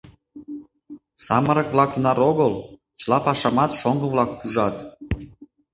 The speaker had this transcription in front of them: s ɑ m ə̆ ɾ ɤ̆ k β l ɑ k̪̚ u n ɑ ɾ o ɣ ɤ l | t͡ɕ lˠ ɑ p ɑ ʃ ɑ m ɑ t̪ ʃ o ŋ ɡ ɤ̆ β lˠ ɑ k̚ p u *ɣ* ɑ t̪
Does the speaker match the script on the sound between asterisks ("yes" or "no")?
no